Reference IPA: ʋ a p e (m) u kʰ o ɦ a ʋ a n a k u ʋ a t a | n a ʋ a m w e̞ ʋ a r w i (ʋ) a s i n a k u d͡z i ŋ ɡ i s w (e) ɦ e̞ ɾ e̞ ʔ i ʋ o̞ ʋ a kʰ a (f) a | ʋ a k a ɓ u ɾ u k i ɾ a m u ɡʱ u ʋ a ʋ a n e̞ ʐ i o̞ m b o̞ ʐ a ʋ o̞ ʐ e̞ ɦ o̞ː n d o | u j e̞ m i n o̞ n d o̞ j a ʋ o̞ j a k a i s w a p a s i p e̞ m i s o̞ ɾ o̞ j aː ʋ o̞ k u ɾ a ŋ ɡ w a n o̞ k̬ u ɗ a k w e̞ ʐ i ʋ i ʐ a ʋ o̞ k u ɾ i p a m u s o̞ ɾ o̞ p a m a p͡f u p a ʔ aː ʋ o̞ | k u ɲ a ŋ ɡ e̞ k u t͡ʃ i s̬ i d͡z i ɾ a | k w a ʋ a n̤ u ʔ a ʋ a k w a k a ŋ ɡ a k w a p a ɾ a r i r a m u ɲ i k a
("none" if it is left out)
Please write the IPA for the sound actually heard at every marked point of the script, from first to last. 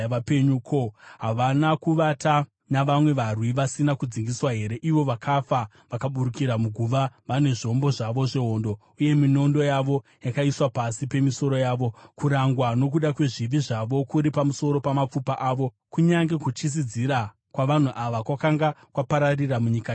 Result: ɲ, ʋ, a, f

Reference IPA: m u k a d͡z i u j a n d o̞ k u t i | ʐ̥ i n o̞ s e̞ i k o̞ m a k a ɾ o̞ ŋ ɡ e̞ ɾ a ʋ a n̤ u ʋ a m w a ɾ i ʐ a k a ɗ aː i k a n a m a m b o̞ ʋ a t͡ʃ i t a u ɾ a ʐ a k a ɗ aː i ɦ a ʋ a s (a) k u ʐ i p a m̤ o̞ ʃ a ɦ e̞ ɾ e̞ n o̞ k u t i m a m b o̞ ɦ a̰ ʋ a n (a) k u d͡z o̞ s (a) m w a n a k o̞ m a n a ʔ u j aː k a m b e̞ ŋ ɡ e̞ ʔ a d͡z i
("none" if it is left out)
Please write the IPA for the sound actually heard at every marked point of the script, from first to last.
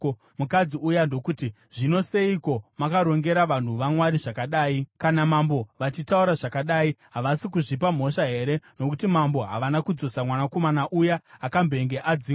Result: i, a, a

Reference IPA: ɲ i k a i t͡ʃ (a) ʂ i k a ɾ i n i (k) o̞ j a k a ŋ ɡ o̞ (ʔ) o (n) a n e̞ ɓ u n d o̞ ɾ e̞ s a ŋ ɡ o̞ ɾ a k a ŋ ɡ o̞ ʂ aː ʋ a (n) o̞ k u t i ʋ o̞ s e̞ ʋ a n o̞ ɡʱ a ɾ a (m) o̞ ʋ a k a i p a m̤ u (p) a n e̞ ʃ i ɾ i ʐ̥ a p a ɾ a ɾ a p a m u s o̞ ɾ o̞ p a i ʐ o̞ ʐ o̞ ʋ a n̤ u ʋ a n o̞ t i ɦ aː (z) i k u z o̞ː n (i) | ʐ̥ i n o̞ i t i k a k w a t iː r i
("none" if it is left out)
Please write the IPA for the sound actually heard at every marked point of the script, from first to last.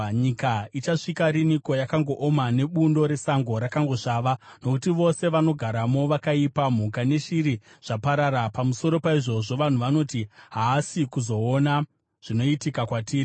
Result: a, k, ʔ, m, n, m, k, s, a

